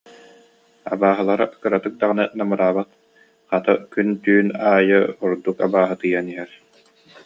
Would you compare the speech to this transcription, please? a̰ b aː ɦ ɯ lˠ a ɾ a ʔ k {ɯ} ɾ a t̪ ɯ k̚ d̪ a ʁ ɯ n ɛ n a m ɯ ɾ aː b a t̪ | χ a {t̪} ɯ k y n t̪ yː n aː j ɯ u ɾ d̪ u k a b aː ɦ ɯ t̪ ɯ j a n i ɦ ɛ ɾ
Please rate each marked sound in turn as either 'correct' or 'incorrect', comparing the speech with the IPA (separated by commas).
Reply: correct, correct